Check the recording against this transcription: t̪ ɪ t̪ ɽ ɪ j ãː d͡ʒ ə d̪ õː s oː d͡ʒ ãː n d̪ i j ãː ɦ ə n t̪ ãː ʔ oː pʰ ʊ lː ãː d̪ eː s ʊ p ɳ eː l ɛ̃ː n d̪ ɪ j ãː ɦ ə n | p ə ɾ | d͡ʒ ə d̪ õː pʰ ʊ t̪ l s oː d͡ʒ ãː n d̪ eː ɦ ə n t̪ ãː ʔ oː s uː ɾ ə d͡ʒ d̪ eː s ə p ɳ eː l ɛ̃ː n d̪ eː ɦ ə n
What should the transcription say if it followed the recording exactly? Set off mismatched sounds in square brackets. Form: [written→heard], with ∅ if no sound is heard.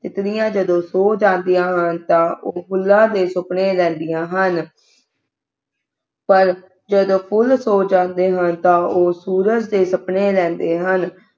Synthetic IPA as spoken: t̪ ɪ t̪ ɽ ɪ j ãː d͡ʒ ə d̪ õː s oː d͡ʒ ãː n d̪ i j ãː ɦ ə n t̪ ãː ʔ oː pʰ ʊ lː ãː d̪ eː s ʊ p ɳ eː l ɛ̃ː n d̪ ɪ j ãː ɦ ə n | p ə ɾ | d͡ʒ ə d̪ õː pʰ ʊ [t̪→∅] l s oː d͡ʒ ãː n d̪ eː ɦ ə n t̪ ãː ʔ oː s uː ɾ ə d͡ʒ d̪ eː s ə p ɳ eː l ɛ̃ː n d̪ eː ɦ ə n